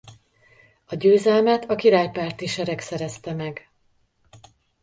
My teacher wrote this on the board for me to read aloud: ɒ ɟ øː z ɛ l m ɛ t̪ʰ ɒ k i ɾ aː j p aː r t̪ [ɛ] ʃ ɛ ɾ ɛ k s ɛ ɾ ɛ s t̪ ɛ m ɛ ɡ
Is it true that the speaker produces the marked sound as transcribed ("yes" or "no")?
no